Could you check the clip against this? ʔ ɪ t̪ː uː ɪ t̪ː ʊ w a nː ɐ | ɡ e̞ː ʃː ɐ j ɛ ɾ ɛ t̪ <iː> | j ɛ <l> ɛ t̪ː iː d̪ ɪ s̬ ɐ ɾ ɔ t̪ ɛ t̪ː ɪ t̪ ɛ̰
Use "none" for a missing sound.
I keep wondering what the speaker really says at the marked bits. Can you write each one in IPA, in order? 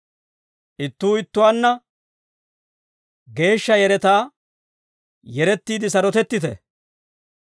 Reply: aː, ɾ

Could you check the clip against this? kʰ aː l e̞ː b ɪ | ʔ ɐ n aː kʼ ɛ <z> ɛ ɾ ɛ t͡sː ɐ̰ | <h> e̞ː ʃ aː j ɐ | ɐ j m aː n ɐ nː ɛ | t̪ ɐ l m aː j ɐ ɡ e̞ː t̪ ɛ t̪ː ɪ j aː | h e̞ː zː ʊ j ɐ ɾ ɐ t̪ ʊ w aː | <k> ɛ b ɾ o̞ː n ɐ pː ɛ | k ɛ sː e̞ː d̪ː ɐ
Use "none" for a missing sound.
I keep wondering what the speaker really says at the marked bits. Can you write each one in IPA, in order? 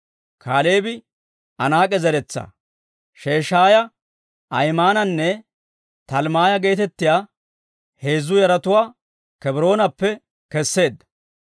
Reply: z, ʃ, k

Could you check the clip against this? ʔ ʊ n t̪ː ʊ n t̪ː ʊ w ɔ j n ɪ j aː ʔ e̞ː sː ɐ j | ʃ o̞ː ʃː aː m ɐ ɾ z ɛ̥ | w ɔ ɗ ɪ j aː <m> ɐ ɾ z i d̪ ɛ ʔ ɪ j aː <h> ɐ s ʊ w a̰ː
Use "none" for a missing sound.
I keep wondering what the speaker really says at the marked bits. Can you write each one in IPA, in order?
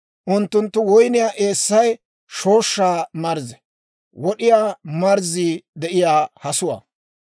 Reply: m, h

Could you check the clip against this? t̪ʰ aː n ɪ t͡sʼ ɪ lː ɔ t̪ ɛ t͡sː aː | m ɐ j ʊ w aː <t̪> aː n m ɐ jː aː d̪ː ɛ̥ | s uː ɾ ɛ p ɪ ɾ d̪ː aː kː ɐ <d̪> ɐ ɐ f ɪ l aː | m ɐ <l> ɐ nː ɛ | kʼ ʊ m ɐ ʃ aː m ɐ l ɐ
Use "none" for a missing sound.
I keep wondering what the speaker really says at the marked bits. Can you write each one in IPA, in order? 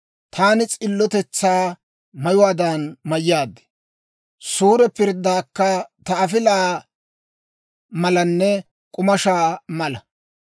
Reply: d̪, t̪, l

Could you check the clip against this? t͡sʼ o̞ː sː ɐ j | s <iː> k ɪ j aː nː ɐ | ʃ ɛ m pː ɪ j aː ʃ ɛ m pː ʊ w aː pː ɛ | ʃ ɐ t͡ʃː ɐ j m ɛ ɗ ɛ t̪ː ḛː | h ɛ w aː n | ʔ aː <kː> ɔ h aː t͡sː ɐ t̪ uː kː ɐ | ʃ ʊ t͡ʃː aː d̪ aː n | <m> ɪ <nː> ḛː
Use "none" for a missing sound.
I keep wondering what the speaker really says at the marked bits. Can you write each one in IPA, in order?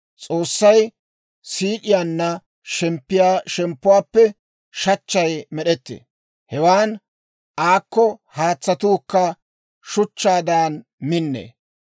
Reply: iː, kː, m, nː

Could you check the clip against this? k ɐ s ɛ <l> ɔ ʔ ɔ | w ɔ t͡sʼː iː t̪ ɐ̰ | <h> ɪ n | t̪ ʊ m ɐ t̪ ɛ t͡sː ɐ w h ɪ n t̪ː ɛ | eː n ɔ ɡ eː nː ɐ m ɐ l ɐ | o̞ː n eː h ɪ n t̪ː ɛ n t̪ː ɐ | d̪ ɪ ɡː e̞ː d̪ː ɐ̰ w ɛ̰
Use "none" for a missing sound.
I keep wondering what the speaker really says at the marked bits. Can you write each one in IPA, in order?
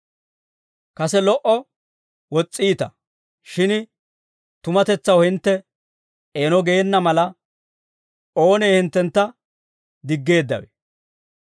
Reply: l, ʃ

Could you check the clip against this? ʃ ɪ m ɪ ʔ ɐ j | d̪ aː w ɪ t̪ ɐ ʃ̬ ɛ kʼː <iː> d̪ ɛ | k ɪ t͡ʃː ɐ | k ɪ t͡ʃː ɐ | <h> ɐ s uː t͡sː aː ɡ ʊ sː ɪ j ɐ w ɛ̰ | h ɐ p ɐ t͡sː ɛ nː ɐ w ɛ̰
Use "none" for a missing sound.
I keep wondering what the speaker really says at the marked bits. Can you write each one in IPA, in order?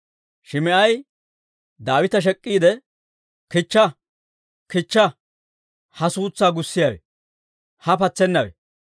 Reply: iː, h

